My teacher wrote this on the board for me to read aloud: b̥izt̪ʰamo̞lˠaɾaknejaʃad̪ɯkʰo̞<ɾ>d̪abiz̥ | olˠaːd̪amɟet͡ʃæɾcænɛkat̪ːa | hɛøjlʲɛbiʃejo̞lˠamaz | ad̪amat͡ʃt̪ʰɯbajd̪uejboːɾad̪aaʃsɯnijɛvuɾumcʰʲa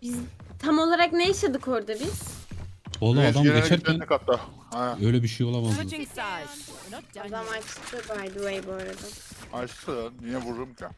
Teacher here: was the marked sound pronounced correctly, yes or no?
yes